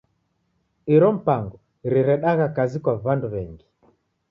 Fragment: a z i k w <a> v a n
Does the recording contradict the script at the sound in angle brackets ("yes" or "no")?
no